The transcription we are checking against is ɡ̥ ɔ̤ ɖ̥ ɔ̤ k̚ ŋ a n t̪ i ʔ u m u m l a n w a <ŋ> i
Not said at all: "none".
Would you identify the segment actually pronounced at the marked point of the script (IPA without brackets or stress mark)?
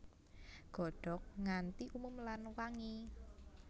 ŋ